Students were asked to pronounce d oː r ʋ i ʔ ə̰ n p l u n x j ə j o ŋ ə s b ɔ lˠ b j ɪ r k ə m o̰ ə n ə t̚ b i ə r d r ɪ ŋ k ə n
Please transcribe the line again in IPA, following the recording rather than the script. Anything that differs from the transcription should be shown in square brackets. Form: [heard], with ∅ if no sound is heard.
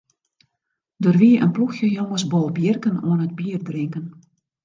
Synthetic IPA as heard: d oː r ʋ i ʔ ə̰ n p l u [∅] x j ə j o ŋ ə s b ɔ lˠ b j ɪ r k ə [n] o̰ ə n ə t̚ b i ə r d r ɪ ŋ k ə n